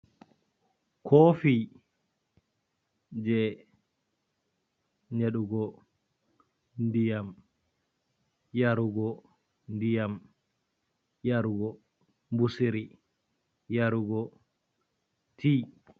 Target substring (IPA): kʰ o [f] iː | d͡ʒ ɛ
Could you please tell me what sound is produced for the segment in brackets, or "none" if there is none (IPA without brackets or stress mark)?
f